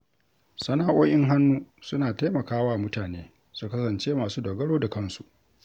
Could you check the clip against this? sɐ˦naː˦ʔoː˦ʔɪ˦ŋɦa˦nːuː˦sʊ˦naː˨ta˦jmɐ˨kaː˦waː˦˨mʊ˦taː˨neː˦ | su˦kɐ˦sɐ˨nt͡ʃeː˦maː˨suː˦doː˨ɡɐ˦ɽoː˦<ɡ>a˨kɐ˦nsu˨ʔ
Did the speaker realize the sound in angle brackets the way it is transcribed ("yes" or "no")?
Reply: no